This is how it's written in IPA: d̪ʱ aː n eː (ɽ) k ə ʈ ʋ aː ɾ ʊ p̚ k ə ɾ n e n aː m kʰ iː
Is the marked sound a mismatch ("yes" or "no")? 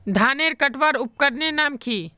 yes